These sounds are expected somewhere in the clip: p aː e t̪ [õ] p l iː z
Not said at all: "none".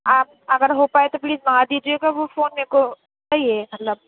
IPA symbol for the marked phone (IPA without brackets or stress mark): o